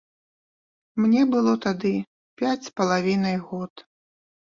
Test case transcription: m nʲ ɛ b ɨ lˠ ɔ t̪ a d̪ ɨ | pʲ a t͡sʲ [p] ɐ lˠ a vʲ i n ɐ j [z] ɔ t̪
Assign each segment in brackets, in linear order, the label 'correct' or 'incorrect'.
correct, incorrect

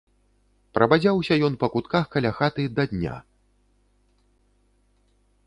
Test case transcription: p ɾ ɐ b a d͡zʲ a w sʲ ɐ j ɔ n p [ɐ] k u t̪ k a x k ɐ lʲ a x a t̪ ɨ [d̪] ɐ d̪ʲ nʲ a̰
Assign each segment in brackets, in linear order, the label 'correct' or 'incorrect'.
correct, correct

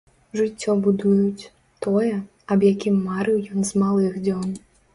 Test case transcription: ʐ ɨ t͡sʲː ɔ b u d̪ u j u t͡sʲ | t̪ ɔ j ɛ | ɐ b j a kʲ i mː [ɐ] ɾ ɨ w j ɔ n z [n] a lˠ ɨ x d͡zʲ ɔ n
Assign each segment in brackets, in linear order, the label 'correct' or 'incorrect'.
incorrect, incorrect

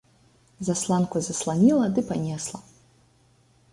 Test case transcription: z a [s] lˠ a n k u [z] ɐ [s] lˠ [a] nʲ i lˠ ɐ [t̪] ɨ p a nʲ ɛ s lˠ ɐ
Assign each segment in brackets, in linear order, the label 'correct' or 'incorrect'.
correct, correct, correct, correct, incorrect

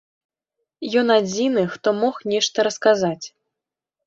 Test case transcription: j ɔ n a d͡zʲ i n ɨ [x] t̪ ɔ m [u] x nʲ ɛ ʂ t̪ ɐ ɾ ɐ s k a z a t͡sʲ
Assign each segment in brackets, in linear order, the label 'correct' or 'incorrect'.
correct, incorrect

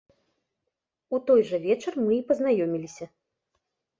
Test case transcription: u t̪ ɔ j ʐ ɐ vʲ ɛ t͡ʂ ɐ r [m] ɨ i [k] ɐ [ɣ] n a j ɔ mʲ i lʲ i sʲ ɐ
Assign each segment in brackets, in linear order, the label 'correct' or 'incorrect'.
correct, incorrect, incorrect

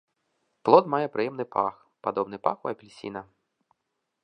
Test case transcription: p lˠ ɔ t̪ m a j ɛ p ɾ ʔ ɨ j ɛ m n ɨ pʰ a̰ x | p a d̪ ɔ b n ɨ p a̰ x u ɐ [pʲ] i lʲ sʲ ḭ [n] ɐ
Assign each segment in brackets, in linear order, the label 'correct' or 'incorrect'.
correct, correct

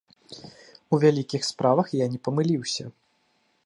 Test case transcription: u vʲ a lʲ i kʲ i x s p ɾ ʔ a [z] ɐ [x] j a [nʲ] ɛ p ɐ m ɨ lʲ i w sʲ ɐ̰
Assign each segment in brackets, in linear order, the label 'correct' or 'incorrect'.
incorrect, correct, correct

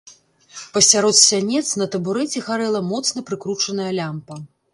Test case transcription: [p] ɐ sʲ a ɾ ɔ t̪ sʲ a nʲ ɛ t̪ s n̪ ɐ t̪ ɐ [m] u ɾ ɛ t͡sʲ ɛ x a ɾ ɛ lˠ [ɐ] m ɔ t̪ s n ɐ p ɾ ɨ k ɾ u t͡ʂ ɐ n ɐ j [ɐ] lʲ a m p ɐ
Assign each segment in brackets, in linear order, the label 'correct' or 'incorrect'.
correct, incorrect, correct, correct

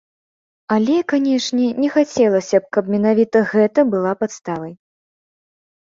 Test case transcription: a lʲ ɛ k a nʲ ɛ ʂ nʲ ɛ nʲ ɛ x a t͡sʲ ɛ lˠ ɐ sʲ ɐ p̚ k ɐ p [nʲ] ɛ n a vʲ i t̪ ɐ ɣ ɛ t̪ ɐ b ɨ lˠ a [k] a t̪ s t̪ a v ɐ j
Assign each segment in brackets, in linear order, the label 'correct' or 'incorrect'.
incorrect, incorrect

